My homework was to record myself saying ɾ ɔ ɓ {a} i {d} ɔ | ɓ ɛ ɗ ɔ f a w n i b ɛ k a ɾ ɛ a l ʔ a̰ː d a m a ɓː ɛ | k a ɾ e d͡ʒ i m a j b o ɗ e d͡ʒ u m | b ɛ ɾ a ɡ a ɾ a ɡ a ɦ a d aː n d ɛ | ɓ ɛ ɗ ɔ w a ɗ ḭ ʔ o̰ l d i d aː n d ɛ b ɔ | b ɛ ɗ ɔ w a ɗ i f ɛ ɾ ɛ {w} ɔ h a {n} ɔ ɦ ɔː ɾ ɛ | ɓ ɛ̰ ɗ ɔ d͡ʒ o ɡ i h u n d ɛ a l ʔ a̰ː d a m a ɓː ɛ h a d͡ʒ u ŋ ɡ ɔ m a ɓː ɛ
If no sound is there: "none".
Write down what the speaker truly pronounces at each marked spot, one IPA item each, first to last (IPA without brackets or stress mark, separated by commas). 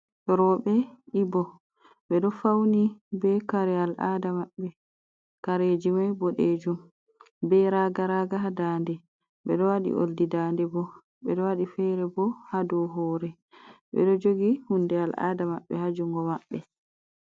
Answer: ɛ, b, b, d